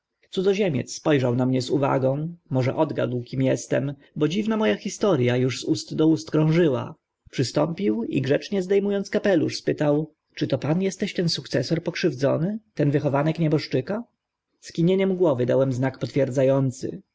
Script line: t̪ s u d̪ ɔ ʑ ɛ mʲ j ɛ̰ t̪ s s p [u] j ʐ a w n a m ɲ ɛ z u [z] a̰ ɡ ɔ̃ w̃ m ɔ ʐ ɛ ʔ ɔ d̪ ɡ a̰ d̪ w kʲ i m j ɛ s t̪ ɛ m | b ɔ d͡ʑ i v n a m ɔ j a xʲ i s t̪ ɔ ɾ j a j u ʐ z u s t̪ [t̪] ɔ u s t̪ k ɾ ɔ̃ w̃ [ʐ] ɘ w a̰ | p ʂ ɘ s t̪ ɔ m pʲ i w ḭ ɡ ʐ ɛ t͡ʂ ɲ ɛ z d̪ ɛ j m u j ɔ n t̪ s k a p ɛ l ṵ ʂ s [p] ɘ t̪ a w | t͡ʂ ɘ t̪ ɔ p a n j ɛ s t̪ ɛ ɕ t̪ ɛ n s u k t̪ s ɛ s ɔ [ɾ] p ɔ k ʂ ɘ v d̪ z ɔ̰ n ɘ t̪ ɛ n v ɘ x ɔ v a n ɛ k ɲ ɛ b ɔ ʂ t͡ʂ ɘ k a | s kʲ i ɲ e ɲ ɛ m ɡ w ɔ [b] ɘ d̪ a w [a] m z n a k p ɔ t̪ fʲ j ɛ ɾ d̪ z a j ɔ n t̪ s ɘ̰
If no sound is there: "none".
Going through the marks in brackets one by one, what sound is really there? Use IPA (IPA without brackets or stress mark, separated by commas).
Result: ɔ, v, d̪, ʐ, p, ɾ, v, ɛ